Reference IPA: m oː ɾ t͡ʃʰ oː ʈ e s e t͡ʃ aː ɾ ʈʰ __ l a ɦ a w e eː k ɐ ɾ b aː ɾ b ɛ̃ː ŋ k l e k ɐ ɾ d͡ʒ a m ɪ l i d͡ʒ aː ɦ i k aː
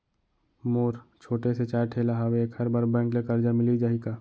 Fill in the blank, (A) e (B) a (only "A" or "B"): A